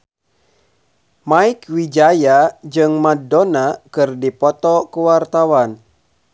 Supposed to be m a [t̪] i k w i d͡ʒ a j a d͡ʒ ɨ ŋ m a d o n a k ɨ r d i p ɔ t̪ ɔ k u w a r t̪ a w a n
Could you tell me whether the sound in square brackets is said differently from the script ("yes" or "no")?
yes